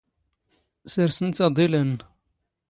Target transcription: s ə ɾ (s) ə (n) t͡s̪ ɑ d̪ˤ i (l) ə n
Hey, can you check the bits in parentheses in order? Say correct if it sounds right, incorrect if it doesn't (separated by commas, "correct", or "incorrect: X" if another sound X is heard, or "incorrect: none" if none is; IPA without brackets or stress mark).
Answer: correct, correct, correct